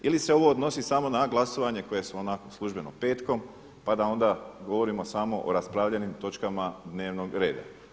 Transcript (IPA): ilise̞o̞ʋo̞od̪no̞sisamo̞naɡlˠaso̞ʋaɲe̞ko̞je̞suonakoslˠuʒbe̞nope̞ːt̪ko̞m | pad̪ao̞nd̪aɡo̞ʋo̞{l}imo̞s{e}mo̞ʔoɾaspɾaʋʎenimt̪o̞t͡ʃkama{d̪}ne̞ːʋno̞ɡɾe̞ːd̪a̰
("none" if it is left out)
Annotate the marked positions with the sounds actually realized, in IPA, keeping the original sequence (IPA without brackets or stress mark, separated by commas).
ɾ, a, d̪